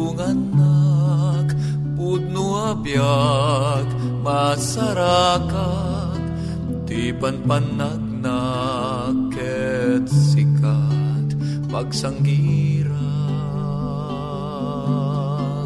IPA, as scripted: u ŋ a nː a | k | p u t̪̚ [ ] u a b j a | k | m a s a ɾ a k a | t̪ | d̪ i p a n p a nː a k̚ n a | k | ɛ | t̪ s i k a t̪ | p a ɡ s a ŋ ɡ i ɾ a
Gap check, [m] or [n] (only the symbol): n